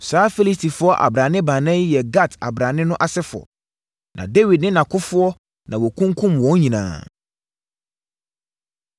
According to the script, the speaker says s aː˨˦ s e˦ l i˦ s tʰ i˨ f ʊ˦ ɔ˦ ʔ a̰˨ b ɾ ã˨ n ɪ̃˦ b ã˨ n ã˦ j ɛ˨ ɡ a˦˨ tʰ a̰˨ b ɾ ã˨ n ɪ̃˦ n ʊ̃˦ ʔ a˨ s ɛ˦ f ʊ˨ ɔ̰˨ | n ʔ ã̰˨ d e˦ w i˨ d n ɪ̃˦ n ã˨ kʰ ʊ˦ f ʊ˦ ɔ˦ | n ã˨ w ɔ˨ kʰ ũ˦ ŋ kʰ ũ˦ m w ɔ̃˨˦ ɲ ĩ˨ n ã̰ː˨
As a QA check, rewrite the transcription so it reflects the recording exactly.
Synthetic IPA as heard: s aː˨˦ f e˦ l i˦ s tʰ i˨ f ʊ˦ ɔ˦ ʔ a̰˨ b ɾ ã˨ n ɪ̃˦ b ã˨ n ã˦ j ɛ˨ ɡ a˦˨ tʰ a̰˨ b ɾ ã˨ n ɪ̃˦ n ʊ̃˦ ʔ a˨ s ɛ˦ f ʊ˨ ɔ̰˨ | n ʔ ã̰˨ d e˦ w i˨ d n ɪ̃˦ n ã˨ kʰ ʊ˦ f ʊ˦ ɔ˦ | n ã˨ w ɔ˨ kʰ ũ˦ ŋ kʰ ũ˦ m w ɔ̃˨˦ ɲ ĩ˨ n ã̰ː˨